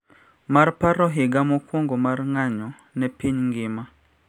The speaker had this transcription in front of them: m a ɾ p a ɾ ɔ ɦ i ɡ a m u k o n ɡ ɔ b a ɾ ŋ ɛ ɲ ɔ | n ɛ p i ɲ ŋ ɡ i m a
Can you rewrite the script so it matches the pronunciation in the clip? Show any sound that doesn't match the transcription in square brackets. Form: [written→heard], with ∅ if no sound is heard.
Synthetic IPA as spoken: m a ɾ p a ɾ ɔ ɦ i ɡ a m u k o [n→ŋ] ɡ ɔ [b→m] a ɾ ŋ [ɛ→a] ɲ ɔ | n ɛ p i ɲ ŋ ɡ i m a